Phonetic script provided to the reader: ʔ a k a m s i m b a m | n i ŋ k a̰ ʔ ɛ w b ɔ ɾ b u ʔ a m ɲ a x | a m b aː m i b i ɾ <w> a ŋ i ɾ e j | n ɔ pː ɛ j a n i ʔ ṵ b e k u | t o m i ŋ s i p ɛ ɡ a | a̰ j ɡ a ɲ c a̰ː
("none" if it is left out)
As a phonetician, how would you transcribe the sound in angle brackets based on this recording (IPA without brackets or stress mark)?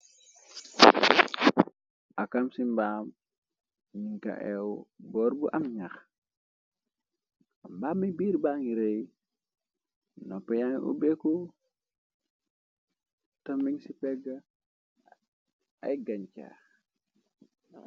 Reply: b